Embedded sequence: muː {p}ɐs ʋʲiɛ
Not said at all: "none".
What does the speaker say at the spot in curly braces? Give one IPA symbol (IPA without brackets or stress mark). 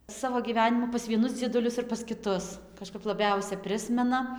p